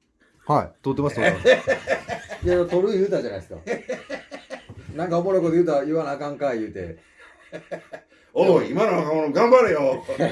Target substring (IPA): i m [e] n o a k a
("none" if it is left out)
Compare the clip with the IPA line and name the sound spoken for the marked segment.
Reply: a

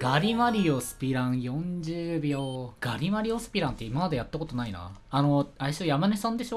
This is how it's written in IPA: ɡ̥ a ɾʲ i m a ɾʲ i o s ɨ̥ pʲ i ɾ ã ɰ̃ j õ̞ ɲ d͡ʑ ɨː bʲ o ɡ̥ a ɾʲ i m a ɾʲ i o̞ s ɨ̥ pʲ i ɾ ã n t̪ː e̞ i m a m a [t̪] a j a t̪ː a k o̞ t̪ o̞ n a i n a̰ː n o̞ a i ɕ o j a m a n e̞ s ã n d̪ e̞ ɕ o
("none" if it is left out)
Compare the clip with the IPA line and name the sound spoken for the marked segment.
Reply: d̪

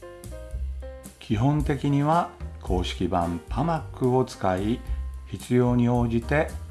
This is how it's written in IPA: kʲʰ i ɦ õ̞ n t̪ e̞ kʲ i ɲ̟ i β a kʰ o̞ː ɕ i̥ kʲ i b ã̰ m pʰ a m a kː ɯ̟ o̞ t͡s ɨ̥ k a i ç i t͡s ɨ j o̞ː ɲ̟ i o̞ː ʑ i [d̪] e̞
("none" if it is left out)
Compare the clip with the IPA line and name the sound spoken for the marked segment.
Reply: t̪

